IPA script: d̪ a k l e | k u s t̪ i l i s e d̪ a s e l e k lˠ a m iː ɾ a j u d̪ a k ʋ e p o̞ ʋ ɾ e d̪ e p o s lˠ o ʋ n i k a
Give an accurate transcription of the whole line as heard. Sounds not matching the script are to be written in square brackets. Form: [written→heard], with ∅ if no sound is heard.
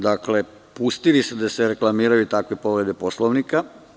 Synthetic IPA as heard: d̪ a k l e | [k→p] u s t̪ i l i s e d̪ a s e [l→ɾ] e k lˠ a m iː ɾ a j u [d̪→t̪] a k ʋ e p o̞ ʋ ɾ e d̪ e p o s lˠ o ʋ n i k a